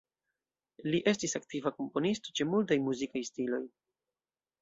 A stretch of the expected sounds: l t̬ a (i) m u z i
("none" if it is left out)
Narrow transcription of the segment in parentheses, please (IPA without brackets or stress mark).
j